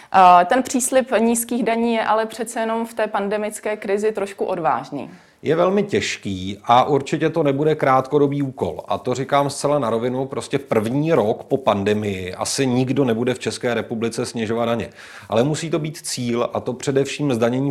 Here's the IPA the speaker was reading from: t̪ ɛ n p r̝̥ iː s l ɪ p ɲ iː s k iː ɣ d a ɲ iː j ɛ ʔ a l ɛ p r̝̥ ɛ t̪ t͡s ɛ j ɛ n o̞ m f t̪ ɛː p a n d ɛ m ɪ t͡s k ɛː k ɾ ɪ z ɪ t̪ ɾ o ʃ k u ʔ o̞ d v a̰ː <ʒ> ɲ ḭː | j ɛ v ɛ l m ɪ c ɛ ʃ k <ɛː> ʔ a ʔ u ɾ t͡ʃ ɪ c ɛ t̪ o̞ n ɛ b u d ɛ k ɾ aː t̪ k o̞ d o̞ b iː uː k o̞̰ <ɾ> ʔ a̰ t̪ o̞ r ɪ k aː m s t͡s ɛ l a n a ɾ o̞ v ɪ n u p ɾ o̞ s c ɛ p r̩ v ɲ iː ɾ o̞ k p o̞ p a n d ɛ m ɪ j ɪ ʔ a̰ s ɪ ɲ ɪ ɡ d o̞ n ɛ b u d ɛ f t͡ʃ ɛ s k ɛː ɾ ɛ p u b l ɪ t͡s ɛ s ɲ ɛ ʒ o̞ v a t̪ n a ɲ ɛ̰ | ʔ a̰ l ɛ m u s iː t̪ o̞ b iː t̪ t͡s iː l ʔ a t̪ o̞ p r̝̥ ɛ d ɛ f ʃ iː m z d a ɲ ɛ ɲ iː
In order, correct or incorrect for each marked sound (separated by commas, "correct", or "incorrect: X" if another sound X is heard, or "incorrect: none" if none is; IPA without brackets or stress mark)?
correct, incorrect: iː, incorrect: l